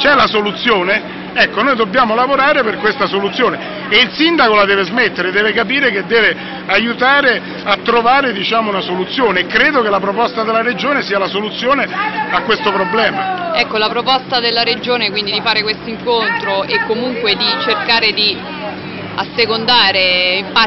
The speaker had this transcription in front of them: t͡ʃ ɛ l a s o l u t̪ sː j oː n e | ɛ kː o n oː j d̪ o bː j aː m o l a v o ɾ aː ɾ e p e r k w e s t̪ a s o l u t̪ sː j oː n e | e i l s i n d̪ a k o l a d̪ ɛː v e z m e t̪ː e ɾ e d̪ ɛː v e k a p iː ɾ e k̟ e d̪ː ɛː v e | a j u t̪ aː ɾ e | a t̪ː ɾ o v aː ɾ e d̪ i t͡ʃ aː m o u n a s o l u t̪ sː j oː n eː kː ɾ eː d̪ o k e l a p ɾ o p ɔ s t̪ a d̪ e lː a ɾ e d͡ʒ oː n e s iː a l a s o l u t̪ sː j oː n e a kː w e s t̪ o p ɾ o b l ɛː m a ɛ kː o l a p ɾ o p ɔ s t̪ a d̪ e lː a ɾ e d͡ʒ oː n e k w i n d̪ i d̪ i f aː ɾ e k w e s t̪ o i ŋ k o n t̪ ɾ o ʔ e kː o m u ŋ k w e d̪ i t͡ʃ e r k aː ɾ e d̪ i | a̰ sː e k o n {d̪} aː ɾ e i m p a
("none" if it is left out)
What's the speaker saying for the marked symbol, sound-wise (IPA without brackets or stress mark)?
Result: d̪